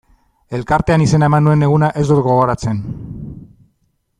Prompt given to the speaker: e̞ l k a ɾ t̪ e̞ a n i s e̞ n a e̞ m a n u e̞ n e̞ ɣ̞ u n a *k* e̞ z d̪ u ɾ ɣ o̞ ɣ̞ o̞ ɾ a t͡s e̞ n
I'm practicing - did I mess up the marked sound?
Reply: yes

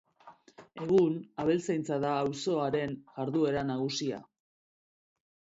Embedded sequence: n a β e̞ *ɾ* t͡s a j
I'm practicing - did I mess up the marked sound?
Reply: yes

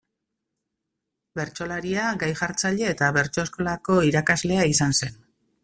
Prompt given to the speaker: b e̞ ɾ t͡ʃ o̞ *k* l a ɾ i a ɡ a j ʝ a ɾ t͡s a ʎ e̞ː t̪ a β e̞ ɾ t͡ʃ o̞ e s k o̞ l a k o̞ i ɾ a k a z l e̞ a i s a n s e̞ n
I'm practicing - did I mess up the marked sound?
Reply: yes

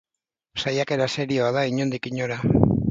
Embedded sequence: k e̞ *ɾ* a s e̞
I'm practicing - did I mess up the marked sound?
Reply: no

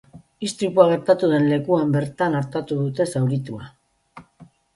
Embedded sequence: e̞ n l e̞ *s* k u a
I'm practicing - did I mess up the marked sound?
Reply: yes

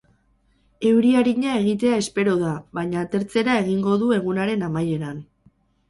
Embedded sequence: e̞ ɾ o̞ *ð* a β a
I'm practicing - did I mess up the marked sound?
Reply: no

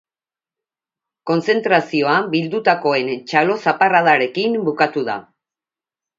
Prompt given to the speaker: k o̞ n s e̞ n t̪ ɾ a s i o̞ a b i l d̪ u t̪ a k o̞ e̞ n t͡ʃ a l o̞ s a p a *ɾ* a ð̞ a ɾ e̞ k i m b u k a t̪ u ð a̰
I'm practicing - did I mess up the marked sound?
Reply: yes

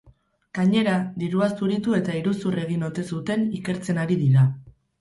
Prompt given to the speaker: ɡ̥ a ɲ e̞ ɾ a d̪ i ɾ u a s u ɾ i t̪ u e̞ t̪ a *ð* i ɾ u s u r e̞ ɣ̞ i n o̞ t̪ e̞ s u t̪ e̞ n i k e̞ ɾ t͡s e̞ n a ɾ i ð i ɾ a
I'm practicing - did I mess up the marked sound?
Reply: yes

